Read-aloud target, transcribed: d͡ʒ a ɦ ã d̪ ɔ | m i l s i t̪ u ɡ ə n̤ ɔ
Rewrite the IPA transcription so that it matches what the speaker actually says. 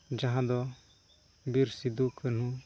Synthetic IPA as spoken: d͡ʒ a ɦ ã d̪ ɔ | b i ɾ s i d̪ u k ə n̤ u